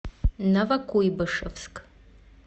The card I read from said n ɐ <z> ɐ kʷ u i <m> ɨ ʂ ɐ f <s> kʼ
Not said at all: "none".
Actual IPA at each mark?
v, b, s

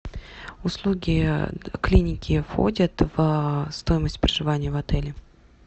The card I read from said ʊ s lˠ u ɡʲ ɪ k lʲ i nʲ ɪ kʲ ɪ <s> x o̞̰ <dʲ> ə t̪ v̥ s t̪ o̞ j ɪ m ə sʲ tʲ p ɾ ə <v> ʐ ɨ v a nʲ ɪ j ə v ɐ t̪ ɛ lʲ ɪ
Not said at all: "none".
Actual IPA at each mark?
f, dʲ, none

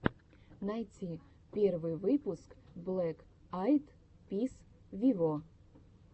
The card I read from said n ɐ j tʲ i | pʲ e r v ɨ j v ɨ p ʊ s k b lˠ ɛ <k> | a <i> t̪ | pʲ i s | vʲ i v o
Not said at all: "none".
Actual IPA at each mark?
k, j

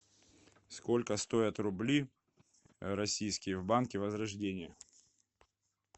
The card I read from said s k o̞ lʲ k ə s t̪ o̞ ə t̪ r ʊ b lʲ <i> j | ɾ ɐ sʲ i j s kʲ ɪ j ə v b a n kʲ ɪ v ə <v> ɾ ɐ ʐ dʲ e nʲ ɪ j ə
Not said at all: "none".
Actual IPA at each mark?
i, z

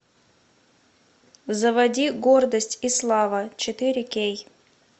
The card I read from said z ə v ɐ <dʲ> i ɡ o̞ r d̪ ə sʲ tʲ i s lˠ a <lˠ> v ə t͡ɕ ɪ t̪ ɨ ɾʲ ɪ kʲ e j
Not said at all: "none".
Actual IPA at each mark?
dʲ, none

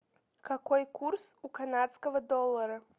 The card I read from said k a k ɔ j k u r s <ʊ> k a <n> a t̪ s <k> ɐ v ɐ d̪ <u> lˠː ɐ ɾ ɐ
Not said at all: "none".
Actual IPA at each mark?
u, n, k, ɔ

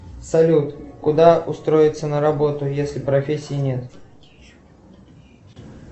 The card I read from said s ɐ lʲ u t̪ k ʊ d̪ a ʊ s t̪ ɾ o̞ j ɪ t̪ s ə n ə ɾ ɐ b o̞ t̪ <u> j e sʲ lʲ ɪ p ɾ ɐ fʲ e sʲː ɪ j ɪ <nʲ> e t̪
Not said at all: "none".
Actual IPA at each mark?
ʊ, nʲ

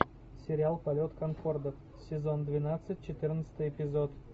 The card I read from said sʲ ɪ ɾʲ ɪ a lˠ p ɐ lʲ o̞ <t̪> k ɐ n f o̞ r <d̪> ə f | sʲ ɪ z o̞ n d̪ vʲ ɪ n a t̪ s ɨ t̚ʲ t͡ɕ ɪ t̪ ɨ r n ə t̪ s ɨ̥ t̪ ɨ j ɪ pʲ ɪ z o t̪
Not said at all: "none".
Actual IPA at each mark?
t̪, d̪

